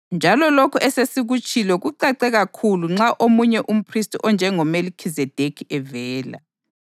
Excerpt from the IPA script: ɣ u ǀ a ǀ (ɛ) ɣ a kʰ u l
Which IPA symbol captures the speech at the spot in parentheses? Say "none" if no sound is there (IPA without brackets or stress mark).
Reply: ɛ